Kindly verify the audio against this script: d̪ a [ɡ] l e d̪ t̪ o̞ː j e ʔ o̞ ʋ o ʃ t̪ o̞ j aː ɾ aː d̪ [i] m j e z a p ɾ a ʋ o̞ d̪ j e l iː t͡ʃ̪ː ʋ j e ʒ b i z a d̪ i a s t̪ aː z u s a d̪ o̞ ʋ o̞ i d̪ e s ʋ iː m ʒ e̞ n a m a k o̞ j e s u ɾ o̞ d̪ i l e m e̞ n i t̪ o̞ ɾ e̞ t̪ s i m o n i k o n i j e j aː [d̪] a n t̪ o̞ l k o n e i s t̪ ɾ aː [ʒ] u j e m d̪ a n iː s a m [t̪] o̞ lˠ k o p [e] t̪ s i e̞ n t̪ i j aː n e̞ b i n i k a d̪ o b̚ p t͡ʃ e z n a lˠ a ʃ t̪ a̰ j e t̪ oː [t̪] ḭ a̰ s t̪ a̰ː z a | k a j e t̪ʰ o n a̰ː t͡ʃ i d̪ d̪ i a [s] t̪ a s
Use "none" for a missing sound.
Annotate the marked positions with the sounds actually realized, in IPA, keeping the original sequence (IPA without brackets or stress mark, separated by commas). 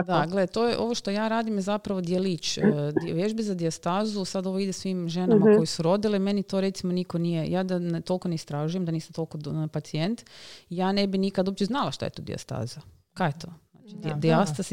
ɡ, i, d̪, ʒ, t̪, a, d̪, s